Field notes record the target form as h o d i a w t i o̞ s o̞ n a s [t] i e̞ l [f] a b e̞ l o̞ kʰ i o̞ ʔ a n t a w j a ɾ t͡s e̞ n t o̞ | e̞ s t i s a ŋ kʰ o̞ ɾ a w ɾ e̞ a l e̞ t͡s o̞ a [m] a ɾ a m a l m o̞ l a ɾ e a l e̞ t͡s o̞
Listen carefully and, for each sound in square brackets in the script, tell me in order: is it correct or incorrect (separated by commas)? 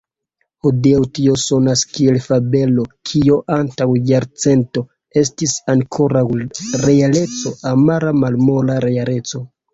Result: incorrect, correct, correct